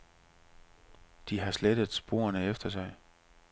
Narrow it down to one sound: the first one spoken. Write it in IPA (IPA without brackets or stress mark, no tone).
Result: d̥